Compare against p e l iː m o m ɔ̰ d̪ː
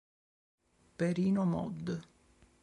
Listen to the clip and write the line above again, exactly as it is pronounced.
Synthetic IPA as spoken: p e ɾ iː n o m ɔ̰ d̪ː